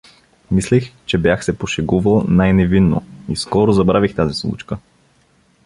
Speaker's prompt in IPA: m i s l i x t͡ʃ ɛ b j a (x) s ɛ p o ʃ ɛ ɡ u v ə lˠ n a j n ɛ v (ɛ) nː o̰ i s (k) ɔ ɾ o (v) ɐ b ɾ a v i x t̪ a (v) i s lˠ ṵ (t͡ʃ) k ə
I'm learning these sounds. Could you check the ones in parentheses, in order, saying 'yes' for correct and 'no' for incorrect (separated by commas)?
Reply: yes, no, yes, no, no, yes